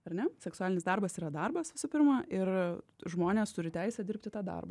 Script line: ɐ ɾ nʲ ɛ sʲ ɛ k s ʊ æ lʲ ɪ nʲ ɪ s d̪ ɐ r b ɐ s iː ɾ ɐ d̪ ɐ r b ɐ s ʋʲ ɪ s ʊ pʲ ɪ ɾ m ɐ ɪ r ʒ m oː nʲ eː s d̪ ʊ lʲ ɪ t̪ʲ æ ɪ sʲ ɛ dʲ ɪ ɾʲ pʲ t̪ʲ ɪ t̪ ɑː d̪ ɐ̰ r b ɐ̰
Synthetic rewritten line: ɐ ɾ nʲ ɛ sʲ ɛ k s ʊ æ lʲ ɪ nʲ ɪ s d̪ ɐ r b ɐ s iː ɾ ɐ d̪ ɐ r b ɐ s ʋʲ ɪ s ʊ pʲ ɪ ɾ m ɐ ɪ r ʒ m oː nʲ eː s t̪ ʊ ɾʲ ɪ t̪ʲ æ ɪ sʲ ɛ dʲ ɪ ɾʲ pʲ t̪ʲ ɪ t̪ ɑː d̪ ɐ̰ r b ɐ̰